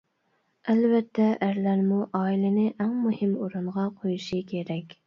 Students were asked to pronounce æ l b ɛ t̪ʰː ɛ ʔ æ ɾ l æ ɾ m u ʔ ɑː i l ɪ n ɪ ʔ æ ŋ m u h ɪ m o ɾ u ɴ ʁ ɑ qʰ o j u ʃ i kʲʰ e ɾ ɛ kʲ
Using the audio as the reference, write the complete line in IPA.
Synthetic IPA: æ l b ɛ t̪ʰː ɛ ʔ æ ɾ l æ ɾ m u ʔ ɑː i l ɪ n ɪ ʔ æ ŋ m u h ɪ m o ɾ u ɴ ʁ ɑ qʰ o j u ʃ i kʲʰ e ɾ ɛ kʲ